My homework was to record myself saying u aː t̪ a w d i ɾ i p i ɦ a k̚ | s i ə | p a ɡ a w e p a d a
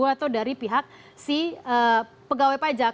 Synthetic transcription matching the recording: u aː t̪ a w d a ɾ i p i ɦ a k̚ | s i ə | p ə ɡ a w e p a d͡ʒ a